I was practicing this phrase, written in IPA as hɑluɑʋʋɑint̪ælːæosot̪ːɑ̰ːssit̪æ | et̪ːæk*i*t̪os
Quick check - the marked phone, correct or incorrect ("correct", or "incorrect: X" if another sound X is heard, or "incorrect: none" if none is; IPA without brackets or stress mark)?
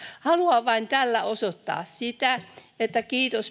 incorrect: iː